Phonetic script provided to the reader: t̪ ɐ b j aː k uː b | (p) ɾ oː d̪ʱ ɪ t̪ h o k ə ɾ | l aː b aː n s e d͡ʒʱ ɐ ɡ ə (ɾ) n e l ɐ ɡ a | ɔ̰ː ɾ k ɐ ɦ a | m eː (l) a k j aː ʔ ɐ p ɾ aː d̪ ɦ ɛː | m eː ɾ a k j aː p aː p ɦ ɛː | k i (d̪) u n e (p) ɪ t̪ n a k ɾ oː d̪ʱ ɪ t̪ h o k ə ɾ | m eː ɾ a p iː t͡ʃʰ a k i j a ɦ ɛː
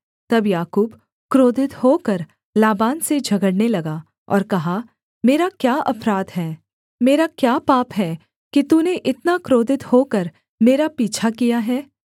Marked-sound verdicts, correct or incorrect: incorrect: k, incorrect: ɽ, incorrect: ɾ, incorrect: t̪, incorrect: ʔ

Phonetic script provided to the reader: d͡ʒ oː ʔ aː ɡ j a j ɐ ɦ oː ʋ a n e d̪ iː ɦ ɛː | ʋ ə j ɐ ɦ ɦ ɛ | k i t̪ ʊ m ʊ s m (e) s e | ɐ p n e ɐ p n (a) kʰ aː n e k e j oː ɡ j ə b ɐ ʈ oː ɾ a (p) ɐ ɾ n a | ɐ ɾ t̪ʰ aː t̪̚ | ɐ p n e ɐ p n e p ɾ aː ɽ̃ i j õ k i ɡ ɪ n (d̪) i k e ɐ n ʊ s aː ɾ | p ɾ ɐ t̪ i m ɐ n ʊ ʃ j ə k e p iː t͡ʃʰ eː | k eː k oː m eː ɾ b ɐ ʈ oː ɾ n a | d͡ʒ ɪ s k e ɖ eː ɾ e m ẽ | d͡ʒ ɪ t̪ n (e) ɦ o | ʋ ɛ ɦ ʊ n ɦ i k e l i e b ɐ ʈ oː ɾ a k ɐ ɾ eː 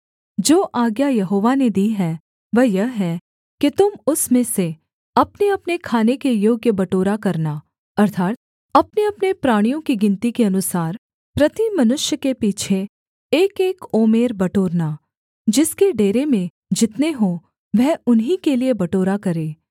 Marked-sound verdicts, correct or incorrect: incorrect: ẽ, incorrect: e, incorrect: k, incorrect: t̪, correct

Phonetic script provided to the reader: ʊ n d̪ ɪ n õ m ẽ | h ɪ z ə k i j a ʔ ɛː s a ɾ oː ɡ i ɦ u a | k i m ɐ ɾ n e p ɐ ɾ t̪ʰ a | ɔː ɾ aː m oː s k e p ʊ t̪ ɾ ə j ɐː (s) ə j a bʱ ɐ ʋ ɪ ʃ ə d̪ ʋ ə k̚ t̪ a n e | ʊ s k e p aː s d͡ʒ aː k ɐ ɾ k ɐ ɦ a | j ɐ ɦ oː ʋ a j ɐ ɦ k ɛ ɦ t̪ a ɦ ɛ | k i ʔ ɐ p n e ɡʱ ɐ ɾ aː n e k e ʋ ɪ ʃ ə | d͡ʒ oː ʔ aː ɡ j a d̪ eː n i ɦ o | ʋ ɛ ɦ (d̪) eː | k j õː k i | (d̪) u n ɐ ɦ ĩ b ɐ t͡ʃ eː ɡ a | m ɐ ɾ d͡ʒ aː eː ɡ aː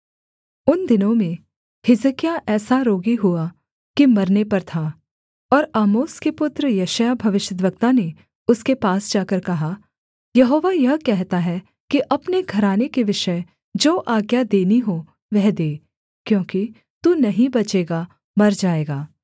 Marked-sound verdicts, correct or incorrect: incorrect: ʃ, correct, incorrect: t̪

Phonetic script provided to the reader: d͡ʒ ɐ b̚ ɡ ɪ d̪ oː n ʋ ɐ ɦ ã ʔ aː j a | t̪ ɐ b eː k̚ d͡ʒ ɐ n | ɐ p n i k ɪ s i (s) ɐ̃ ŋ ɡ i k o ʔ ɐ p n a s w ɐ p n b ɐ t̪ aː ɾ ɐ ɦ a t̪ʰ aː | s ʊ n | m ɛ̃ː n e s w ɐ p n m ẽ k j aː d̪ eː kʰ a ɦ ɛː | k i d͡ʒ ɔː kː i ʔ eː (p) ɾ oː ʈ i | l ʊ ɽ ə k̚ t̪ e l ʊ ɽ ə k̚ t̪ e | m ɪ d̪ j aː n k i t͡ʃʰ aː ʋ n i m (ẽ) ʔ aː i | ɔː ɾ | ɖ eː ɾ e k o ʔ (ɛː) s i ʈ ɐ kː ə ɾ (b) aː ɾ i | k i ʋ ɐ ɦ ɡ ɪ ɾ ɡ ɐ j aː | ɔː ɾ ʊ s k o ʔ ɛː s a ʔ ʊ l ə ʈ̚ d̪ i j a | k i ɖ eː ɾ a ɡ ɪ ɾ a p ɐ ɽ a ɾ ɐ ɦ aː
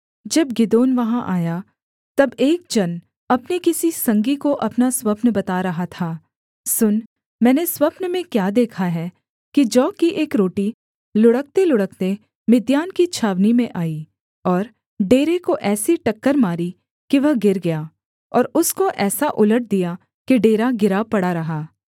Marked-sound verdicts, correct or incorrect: correct, incorrect: k, correct, correct, incorrect: m

